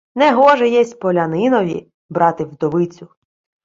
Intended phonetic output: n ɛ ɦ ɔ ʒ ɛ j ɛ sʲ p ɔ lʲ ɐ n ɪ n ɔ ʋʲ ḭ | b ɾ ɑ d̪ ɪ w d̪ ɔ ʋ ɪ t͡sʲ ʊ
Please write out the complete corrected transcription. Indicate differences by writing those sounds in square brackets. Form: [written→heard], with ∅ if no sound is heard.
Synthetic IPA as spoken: n ɛ ɦ ɔ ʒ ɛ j ɛ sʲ p ɔ lʲ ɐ n ɪ n ɔ ʋʲ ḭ | b ɾ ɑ [d̪→t̪] ɪ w d̪ ɔ ʋ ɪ t͡sʲ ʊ